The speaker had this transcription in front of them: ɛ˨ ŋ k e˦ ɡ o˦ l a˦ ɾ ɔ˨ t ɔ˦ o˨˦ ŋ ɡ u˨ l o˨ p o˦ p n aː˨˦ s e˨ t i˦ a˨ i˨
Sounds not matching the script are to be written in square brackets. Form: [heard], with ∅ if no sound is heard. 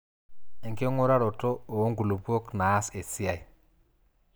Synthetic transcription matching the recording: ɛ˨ ŋ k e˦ [ŋ] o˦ [ɾ] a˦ ɾ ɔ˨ t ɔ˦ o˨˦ ŋ ɡ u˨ l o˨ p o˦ [k] n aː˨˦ s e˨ [s] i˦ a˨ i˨